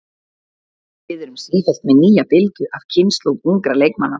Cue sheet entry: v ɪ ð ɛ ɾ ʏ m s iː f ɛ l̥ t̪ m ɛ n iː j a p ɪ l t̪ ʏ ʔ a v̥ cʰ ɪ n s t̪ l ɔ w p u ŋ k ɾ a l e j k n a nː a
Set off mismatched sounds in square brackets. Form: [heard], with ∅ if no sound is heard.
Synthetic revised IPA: v ɪ ð ɛ ɾ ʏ m s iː f ɛ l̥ t̪ m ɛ n iː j a p ɪ l t̪ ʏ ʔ a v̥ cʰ ɪ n s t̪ l [o] w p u ŋ k ɾ a l e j k [m] a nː a